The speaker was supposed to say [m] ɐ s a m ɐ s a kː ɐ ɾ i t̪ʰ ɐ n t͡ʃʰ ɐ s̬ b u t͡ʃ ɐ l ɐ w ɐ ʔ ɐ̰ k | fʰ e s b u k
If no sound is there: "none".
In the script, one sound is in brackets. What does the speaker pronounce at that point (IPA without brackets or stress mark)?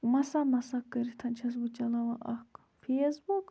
m